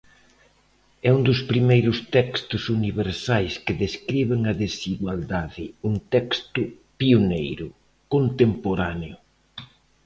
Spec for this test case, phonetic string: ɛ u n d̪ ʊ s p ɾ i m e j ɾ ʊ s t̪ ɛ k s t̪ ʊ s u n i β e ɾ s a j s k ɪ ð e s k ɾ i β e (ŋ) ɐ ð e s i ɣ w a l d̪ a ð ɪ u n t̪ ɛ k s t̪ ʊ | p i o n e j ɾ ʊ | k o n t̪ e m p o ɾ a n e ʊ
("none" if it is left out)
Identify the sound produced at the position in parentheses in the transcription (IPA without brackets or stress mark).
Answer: ŋ